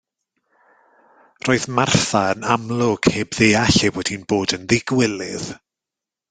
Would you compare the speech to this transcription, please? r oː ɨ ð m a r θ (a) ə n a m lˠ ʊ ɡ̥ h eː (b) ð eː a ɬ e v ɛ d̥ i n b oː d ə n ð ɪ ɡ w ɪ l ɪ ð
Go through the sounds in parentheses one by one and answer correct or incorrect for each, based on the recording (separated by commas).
correct, correct